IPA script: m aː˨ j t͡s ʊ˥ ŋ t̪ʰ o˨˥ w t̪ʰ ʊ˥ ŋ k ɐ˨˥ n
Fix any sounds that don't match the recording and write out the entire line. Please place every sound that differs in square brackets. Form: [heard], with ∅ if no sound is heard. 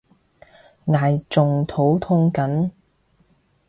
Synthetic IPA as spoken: [ŋ] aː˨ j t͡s [ʊ˨] ŋ t̪ʰ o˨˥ w t̪ʰ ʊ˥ ŋ k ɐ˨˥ n